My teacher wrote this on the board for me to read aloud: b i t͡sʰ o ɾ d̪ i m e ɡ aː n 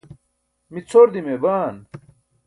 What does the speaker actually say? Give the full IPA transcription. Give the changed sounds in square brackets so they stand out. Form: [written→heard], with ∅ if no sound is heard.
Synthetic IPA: [b→m] i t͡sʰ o ɾ d̪ i m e [ɡ→b] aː n